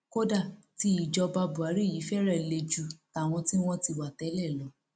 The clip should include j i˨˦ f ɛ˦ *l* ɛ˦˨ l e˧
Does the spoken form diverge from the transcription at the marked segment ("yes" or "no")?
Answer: yes